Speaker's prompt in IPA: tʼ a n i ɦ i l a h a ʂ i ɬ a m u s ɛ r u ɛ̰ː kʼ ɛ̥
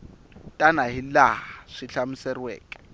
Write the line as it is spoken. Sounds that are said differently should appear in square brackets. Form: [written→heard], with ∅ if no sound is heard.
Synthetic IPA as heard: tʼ a n [i→a] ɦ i l a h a ʂ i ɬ a m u s ɛ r [u→w] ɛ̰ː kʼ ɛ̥